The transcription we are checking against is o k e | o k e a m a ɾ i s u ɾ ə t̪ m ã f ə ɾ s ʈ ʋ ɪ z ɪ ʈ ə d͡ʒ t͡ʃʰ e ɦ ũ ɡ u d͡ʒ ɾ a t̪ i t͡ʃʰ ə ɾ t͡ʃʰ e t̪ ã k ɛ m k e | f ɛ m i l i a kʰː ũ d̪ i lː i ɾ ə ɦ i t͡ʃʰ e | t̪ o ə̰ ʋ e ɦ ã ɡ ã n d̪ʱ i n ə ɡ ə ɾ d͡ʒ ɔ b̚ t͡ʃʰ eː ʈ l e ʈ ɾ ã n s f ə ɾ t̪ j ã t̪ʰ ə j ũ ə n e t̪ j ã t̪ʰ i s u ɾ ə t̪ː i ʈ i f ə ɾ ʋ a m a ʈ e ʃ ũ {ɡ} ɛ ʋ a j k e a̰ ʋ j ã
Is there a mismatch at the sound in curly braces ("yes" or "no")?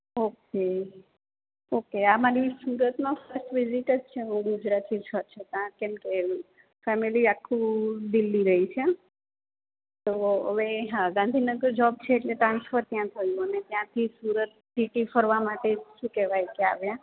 yes